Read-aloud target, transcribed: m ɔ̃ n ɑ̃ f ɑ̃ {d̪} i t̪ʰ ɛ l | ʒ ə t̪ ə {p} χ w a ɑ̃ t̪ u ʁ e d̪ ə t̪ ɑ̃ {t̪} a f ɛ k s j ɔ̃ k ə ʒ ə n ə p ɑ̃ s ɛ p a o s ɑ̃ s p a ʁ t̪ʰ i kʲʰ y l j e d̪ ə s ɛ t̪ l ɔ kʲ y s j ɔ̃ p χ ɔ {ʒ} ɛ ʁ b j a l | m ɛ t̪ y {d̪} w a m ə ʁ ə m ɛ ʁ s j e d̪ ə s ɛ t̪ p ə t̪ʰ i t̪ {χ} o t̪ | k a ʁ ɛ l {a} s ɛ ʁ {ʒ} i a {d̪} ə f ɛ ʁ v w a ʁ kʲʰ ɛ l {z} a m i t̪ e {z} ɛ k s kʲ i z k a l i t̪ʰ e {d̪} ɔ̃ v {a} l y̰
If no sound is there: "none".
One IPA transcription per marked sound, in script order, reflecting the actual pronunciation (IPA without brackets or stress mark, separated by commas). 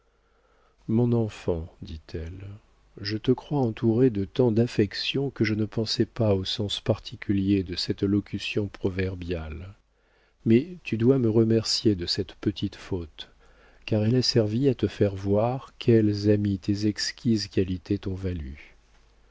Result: d̪, k, d̪, v, d̪, f, a, v, t̪, z, z, t̪, a